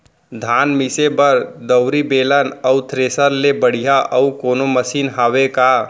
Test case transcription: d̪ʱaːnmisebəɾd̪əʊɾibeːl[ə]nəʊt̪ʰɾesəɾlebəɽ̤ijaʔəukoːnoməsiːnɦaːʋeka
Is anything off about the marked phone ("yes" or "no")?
no